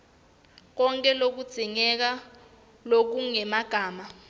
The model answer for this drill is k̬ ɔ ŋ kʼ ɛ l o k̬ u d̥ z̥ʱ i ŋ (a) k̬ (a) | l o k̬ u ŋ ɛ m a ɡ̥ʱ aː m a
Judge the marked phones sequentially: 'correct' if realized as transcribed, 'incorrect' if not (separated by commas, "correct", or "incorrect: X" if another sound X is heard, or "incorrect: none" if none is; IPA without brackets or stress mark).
incorrect: ɛ, correct